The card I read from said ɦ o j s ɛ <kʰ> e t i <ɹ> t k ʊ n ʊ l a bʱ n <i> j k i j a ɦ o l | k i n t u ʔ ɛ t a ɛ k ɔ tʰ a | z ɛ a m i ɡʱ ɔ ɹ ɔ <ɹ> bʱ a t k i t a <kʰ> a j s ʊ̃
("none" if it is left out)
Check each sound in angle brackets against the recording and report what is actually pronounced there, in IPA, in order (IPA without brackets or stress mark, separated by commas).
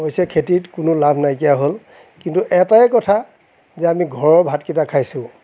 kʰ, none, a, ɹ, kʰ